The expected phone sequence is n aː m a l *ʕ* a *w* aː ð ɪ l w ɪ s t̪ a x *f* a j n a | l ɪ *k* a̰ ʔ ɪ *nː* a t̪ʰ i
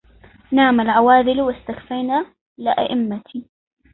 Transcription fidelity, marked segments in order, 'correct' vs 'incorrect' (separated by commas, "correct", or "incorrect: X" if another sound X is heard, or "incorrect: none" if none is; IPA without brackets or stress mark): correct, correct, correct, incorrect: ʔ, incorrect: mː